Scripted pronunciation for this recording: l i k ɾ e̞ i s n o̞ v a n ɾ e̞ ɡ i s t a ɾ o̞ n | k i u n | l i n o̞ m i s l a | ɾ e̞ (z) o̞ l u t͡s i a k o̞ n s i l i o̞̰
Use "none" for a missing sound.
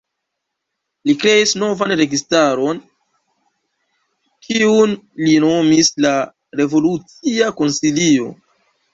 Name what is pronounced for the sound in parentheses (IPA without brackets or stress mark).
v